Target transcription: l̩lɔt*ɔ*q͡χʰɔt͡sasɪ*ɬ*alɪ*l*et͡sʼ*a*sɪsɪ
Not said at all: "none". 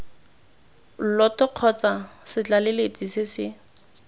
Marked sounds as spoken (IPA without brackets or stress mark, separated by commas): ɔ, t͡ɬ, l, i